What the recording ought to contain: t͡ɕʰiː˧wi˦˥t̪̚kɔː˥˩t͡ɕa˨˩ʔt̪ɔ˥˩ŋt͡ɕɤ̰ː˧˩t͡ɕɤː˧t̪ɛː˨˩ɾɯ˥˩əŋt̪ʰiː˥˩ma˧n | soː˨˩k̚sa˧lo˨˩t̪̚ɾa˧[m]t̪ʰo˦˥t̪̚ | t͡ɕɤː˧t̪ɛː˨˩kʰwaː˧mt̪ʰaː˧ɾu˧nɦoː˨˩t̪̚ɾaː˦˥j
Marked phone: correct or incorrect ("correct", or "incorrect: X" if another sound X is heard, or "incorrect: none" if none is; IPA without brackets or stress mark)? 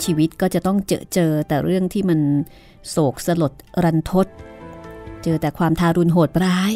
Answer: incorrect: n